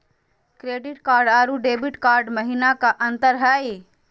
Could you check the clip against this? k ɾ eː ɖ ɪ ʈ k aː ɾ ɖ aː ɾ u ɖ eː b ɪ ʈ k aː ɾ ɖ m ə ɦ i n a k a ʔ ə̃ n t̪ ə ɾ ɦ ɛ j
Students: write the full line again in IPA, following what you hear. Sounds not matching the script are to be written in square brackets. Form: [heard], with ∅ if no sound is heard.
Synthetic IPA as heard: k ɾ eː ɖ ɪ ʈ k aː ɾ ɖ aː ɾ u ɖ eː b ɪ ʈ k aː ɾ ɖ m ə ɦ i n a k a ʔ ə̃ n t̪ ə ɾ ɦ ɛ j

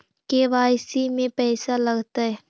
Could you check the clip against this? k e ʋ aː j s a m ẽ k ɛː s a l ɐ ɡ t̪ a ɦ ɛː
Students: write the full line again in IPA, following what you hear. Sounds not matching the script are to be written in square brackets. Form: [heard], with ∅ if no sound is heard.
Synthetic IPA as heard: k e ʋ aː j s [i] m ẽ [p] ɛː s a l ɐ ɡ t̪ a ɦ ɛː

